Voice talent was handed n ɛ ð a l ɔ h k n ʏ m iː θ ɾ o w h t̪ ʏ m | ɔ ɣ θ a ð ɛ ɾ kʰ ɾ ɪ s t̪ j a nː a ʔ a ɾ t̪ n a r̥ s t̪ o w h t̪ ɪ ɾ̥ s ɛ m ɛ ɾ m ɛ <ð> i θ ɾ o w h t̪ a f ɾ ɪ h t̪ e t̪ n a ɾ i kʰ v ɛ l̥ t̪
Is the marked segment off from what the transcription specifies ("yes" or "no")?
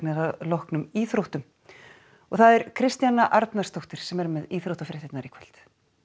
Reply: no